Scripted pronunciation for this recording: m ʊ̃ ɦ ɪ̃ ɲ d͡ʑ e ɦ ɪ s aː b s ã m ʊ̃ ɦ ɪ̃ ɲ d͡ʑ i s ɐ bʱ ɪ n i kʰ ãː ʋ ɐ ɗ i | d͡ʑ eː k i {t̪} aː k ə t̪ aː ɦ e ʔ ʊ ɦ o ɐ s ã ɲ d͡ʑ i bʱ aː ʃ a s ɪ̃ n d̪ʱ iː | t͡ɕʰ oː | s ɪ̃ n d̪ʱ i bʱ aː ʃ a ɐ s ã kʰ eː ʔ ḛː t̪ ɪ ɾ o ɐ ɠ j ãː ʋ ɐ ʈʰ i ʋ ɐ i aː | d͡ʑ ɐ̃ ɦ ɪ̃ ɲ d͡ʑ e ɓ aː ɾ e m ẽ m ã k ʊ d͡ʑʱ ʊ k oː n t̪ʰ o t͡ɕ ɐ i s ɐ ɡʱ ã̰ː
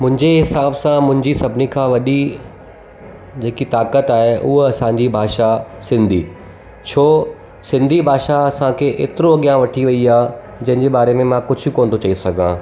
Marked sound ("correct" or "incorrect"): correct